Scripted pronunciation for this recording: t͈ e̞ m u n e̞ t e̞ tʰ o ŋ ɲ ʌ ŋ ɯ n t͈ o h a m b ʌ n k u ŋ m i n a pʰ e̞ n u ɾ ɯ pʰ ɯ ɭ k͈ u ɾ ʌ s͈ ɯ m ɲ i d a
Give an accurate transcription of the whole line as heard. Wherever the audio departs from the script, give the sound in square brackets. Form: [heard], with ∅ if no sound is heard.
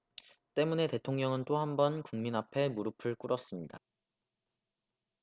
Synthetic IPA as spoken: t͈ e̞ m u n e̞ t e̞ tʰ o ŋ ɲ ʌ ŋ ɯ n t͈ o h a m b ʌ n k u ŋ m i n a pʰ e̞ [m] u ɾ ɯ pʰ ɯ ɭ k͈ u ɾ ʌ s͈ ɯ m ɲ i d a